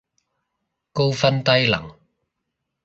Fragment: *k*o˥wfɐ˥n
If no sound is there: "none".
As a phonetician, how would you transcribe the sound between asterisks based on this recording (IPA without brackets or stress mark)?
k